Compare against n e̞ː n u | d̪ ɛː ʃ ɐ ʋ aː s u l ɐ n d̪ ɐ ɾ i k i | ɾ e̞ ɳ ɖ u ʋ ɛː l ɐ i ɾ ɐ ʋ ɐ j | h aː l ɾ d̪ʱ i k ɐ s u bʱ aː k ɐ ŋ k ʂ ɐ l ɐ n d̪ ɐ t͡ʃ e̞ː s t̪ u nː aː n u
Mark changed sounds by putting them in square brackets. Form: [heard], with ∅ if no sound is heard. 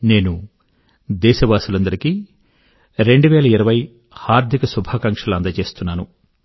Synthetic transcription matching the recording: n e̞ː n u | d̪ ɛː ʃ ɐ ʋ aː s u l ɐ n d̪ ɐ ɾ i k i | ɾ e̞ ɳ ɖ u ʋ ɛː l ɐ i ɾ ɐ ʋ ɐ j | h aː [∅] ɾ d̪ʱ i k ɐ s u bʱ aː k ɐ ŋ k ʂ ɐ l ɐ n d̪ ɐ t͡ʃ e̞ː s t̪ u nː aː n u